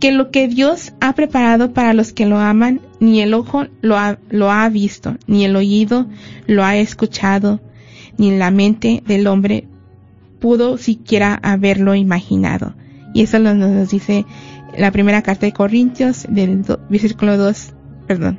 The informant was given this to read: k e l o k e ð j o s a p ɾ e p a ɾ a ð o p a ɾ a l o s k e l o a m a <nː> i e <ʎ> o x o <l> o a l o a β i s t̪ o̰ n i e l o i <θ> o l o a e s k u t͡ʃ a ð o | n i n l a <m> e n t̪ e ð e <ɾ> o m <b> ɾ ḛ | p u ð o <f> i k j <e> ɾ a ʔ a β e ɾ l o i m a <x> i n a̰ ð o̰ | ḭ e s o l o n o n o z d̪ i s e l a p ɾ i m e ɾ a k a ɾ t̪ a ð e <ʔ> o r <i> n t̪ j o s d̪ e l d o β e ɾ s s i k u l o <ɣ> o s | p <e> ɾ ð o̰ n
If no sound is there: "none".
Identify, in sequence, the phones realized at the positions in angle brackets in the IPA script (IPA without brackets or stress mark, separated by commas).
nː, l, l, ð, m, l, b, s, e, x, k, i, ð, e